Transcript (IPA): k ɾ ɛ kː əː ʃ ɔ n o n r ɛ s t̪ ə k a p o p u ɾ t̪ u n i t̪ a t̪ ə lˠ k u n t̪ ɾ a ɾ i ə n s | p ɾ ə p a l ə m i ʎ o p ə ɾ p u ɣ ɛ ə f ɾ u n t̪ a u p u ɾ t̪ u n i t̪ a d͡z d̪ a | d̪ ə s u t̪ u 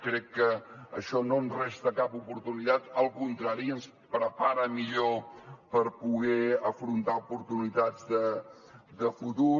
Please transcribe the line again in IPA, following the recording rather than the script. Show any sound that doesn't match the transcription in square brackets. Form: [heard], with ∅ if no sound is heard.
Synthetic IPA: k ɾ ɛ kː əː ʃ ɔ n o n r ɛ s t̪ ə k a p [u] p u ɾ t̪ u n i t̪ a t̪ ə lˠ k u n t̪ ɾ a ɾ i ə n s | p ɾ ə p a [ɾ] ə m i ʎ o p ə ɾ p u ɣ ɛ ə f ɾ u n t̪ a u p u ɾ t̪ u n i t̪ a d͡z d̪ [ə] | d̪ ə [f] u t̪ u